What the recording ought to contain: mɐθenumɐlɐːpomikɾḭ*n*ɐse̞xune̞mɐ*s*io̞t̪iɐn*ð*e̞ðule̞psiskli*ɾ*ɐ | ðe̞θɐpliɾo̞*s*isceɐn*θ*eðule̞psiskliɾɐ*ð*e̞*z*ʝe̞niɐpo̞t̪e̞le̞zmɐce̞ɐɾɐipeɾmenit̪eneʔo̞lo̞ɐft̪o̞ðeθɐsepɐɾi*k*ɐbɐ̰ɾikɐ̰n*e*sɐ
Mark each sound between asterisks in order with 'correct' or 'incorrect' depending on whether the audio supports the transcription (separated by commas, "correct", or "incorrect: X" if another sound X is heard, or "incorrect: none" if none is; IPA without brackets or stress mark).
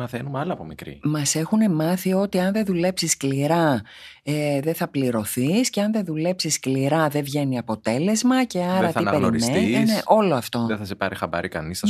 incorrect: m, incorrect: θ, correct, correct, incorrect: θ, incorrect: ð, correct, incorrect: v, incorrect: x, incorrect: i